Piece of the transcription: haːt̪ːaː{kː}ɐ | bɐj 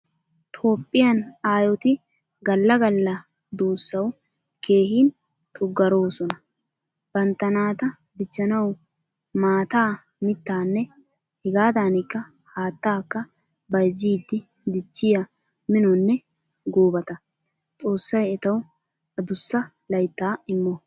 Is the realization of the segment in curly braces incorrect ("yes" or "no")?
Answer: no